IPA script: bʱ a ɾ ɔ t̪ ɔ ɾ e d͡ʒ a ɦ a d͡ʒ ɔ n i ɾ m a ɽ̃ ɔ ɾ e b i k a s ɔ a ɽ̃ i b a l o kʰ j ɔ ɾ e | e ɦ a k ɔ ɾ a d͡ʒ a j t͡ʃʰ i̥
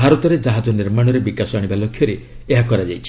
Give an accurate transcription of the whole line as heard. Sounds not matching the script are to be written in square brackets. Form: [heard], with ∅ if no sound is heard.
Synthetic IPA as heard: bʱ a ɾ ɔ t̪ ɔ ɾ e d͡ʒ a ɦ a d͡ʒ ɔ n i ɾ m a ɽ̃ ɔ ɾ e b i k a s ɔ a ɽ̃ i b a l o kʰ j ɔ ɾ e | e ɦ a k ɔ ɾ a d͡ʒ a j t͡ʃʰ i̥

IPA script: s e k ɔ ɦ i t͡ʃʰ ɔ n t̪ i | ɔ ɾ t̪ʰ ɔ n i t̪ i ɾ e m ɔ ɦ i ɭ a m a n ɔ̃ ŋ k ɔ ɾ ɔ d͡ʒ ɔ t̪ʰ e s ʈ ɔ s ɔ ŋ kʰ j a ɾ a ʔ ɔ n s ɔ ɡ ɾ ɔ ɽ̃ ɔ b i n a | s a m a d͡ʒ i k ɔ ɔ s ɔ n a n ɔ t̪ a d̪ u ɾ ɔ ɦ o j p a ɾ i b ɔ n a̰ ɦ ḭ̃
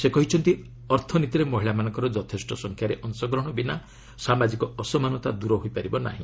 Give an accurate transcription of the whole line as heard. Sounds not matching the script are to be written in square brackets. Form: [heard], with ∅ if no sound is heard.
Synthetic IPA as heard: s e k ɔ ɦ i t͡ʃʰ ɔ n t̪ i | ɔ ɾ t̪ʰ ɔ n i t̪ i ɾ e m ɔ ɦ i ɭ a m a n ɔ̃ ŋ k ɔ ɾ ɔ d͡ʒ ɔ t̪ʰ e s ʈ ɔ s ɔ ŋ kʰ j a ɾ [e] ʔ ɔ n s ɔ ɡ ɾ ɔ ɽ̃ ɔ b i n a | s a m a d͡ʒ i k ɔ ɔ s ɔ [m] a n ɔ t̪ a d̪ u ɾ ɔ ɦ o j p a ɾ i b ɔ n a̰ ɦ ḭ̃

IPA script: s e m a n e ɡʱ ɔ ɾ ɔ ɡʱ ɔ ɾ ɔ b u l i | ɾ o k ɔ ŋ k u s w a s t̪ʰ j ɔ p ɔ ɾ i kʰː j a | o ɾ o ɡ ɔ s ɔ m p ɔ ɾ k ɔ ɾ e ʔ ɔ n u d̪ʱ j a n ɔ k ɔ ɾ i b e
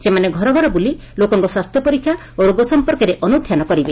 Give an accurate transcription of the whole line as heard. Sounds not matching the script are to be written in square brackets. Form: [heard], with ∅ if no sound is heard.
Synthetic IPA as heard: s e m a n e ɡʱ ɔ ɾ ɔ ɡʱ ɔ ɾ ɔ b u l i | [l] o k ɔ ŋ k [ɔ] s w a s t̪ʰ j ɔ p ɔ ɾ i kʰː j a | o ɾ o ɡ ɔ s ɔ m p ɔ ɾ k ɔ ɾ e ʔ ɔ n u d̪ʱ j a n ɔ k ɔ ɾ i b e

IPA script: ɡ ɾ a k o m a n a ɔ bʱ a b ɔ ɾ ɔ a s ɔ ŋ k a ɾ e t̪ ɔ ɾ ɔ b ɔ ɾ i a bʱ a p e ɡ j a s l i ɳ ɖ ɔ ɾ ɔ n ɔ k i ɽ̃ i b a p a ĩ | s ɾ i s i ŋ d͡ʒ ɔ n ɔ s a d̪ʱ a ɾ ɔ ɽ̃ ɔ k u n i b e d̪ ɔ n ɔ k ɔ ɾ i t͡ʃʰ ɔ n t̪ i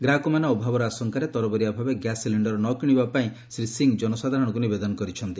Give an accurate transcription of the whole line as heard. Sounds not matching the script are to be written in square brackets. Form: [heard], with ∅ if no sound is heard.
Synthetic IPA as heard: ɡ ɾ a k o m a n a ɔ bʱ a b ɔ ɾ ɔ a s ɔ ŋ k a ɾ e t̪ ɔ ɾ ɔ b ɔ ɾ i a bʱ a [b] e ɡ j a s l i ɳ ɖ ɔ ɾ ɔ n ɔ k i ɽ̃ i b a p a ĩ | s ɾ i s i ŋ d͡ʒ ɔ n ɔ s a d̪ʱ a ɾ ɔ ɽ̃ ɔ k u n i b e d̪ ɔ n ɔ k ɔ ɾ i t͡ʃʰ ɔ n t̪ i

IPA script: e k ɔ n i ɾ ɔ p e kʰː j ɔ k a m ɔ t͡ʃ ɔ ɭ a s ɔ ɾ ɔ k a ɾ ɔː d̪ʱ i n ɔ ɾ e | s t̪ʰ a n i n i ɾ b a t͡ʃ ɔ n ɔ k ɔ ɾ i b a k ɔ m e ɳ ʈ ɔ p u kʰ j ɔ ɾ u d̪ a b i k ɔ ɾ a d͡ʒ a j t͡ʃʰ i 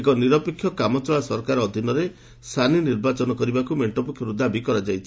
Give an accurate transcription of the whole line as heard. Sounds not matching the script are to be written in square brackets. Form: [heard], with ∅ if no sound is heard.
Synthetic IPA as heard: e k ɔ n i ɾ ɔ p e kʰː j ɔ k a m ɔ t͡ʃ ɔ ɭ a s ɔ ɾ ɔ k a ɾ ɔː d̪ʱ i n ɔ ɾ e | s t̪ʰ a n i n i ɾ b a t͡ʃ ɔ n ɔ k ɔ ɾ i b a k [u] m e ɳ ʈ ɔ p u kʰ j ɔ ɾ u d̪ a b i k ɔ ɾ a d͡ʒ a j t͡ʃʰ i

